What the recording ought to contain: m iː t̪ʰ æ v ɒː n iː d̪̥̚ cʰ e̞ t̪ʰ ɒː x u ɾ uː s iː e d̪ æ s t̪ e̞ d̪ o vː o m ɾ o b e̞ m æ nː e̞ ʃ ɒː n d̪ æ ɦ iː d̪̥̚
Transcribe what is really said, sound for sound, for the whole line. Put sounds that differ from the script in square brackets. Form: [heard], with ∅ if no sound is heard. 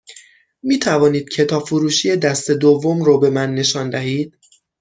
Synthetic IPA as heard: m iː t̪ʰ æ v ɒː n iː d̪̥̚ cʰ e̞ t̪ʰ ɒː [f] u ɾ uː [ʃ] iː e d̪ æ s t̪ e̞ d̪ o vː o m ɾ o b e̞ m æ nː e̞ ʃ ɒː n d̪ æ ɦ iː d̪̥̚